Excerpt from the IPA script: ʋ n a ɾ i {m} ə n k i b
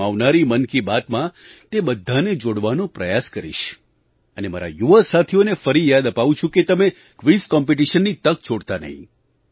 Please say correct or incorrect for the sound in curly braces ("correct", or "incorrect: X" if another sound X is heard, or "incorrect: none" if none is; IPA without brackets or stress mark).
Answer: correct